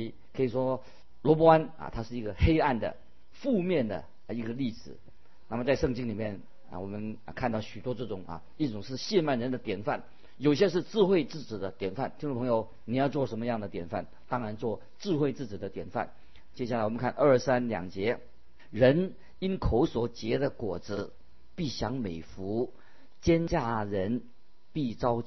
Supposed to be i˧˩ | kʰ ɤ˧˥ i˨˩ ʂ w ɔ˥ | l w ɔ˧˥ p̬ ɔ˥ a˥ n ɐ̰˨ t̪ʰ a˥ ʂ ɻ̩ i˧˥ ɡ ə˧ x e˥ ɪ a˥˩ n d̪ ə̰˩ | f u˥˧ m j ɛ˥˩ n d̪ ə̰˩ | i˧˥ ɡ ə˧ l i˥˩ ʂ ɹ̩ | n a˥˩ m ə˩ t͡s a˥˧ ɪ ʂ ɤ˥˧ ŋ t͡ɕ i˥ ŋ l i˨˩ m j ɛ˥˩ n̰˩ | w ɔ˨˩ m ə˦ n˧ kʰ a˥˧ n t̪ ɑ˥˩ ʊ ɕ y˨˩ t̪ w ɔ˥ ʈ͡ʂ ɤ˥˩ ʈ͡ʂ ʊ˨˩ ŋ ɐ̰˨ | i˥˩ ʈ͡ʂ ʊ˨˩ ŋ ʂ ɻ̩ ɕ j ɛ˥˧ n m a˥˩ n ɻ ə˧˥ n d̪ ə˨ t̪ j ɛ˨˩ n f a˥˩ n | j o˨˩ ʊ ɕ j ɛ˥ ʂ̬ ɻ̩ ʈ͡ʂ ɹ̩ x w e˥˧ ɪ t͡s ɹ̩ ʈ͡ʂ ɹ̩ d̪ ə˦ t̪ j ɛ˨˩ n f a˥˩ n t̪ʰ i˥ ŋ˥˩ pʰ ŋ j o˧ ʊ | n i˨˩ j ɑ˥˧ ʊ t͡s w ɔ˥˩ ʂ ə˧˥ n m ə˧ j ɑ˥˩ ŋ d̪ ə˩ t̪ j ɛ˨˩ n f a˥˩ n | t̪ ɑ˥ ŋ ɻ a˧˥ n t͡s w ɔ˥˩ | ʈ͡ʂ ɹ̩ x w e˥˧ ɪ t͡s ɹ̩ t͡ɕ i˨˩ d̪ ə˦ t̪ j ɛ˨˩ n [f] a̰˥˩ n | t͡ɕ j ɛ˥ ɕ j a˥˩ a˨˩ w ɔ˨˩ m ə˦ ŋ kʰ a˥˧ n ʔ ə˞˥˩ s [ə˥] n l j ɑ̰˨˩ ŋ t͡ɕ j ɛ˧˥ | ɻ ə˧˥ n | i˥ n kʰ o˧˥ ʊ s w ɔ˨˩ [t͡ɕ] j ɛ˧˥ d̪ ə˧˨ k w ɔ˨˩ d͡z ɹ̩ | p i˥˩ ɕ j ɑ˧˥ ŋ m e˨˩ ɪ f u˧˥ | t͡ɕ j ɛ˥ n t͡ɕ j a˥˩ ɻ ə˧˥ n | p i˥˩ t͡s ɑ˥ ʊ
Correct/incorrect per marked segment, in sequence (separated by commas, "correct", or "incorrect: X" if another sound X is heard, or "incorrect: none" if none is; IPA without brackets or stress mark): correct, incorrect: a˥, correct